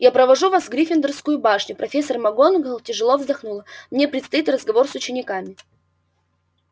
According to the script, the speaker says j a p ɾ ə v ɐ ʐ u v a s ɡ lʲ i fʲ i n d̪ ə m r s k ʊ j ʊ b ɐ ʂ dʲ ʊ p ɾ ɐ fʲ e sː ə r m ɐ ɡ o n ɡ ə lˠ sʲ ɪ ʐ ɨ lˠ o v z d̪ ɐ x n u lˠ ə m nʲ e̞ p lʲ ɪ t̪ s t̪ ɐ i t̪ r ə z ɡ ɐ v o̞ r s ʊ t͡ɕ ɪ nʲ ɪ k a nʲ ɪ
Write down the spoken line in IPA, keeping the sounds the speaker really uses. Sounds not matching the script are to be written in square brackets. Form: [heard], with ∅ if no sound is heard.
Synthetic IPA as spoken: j a p ɾ ə v ɐ ʐ u v a s ɡ [ɾʲ] i fʲ [ɪ] n d̪ ə [∅] r s k ʊ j ʊ b [a] ʂ [nʲ] ʊ p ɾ ɐ fʲ e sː ə r m ɐ ɡ o n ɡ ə lˠ [tʲ] ɪ ʐ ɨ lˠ o v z d̪ ɐ x n u lˠ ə m nʲ e̞ p [ɾʲ] ɪ t̪ s t̪ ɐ i t̪ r ə z ɡ ɐ v o̞ r s ʊ t͡ɕ ɪ nʲ ɪ k a [mʲ] ɪ